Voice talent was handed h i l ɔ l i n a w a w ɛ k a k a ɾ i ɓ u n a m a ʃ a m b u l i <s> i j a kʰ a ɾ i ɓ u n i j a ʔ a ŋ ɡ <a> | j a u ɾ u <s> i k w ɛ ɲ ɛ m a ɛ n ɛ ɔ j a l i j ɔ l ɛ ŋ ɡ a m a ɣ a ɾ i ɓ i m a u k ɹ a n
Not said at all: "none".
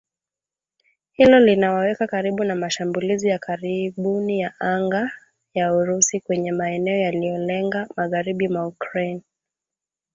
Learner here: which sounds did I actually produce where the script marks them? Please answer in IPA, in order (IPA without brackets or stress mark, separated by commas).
z, a, s